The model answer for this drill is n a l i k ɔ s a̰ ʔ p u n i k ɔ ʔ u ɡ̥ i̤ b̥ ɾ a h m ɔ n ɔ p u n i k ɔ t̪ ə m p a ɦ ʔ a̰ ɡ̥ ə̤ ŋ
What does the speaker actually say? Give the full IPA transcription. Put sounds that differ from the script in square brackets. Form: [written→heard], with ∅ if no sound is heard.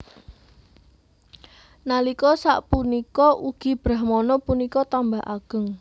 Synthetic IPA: n a l i k ɔ s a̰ ʔ p u n i k ɔ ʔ u ɡ̥ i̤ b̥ ɾ a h m ɔ n ɔ p u n i k ɔ t̪ [ə→a] m [p→b] a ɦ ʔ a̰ ɡ̥ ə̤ ŋ